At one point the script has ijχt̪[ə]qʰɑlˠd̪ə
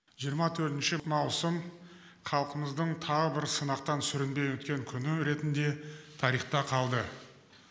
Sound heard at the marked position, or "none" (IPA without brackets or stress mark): ɑ